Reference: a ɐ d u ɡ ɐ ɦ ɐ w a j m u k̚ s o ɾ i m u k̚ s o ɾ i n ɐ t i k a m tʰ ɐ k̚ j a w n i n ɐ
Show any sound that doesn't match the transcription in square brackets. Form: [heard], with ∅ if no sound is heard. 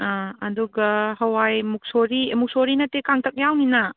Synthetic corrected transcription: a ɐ d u ɡ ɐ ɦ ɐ w a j m u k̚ s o ɾ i m u k̚ s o ɾ i n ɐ t [e] k a [ŋ] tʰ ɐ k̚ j a w n i n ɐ